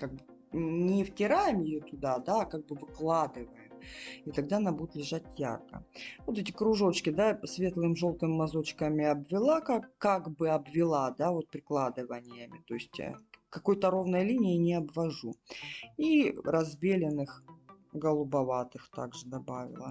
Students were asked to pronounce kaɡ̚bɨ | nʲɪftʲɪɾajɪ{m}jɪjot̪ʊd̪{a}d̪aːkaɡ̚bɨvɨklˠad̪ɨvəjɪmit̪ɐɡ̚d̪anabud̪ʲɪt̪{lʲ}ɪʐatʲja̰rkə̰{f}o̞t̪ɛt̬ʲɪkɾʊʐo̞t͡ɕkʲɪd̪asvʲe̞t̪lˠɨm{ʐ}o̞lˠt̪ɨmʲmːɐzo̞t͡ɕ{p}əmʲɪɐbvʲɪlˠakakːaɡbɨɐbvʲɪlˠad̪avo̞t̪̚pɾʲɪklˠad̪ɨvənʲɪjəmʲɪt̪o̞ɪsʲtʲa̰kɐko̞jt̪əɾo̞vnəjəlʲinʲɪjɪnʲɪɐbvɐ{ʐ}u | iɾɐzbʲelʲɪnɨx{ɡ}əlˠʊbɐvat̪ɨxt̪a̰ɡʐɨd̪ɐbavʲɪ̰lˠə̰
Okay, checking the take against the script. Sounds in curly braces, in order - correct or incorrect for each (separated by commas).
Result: correct, correct, correct, incorrect, correct, incorrect, correct, correct